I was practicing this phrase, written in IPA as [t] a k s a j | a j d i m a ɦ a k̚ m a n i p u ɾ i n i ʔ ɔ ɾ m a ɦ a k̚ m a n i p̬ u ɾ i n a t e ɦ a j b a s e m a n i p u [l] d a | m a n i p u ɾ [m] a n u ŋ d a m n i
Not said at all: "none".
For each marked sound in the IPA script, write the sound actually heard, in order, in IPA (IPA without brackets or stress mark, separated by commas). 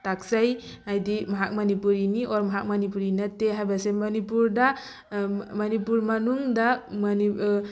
t, ɾ, m